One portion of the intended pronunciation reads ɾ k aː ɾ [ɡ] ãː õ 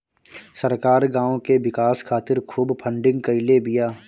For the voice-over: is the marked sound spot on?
yes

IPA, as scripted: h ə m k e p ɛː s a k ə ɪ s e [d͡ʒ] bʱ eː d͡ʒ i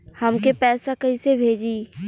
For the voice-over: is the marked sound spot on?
no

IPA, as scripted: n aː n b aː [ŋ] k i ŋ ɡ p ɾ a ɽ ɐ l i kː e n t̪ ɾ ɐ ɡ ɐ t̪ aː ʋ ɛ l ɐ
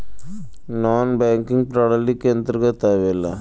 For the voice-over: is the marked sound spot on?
yes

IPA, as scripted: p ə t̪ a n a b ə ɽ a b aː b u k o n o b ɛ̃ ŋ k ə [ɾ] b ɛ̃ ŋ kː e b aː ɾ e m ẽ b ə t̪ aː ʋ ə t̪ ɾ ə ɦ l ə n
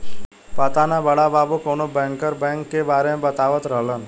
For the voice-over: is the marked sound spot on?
yes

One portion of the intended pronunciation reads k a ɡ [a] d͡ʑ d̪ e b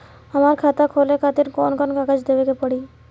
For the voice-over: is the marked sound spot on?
yes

